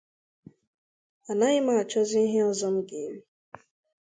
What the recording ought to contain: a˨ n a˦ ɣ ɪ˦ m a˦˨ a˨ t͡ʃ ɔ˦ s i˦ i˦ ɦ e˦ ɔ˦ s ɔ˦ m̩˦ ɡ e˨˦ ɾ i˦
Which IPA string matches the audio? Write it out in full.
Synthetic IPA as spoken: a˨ n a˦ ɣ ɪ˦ m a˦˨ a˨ t͡ʃ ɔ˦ z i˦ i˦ ɦ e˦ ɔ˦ z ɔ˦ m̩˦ ɡ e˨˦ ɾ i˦